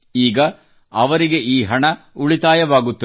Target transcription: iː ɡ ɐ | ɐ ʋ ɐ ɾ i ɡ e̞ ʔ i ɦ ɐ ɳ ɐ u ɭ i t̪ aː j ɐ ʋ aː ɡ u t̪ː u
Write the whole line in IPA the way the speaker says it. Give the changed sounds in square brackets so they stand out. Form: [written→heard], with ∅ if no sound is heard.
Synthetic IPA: iː ɡ ɐ | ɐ ʋ ɐ ɾ i ɡ e̞ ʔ [i→iː] ɦ ɐ ɳ ɐ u ɭ i t̪ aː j ɐ ʋ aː ɡ u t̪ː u